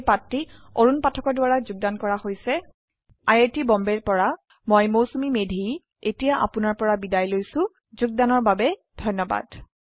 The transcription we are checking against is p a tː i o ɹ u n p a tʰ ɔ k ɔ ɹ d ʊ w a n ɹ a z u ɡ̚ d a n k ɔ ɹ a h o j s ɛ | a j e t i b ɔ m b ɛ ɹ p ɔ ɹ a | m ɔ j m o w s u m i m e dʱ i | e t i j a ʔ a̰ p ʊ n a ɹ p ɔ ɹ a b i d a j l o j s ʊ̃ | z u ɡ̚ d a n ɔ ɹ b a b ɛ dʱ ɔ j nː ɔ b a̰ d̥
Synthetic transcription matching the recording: p a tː i o ɹ u n p a tʰ ɔ k ɔ ɹ d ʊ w a ɹ a z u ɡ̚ d a n k ɔ ɹ a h o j s ɛ | a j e t i b ɔ m b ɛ ɹ p ɔ ɹ a | m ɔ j m o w s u m i m e dʱ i | e t i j a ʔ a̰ p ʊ n a ɹ p ɔ ɹ a b i d a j l o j s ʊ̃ | z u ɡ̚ d a n ɔ ɹ b a b ɛ dʱ ɔ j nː ɔ b a̰ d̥